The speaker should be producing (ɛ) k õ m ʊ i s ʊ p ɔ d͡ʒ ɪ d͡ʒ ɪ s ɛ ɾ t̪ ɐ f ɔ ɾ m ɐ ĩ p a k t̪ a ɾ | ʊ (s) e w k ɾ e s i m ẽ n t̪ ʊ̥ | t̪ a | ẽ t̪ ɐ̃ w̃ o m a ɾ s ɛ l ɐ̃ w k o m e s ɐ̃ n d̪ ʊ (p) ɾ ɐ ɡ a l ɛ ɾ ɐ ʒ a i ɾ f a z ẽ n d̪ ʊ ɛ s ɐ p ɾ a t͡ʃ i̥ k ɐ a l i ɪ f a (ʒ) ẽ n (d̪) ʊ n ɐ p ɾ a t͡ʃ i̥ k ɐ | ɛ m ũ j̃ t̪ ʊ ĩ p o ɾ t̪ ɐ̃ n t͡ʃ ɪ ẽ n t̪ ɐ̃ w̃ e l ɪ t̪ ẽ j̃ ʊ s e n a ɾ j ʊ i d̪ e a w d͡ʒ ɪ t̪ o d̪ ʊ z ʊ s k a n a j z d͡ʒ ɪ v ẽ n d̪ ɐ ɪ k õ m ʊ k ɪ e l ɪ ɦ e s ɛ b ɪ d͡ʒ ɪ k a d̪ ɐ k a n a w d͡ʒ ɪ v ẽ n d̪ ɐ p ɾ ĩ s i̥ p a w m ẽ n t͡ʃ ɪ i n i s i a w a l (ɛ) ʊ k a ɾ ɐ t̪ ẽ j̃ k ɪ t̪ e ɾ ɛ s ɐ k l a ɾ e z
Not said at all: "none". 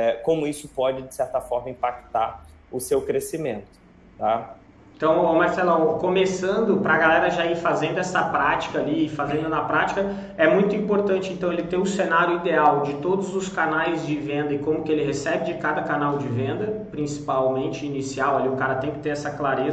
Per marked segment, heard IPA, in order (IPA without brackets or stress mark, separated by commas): ɛ, s, p, z, d̪, i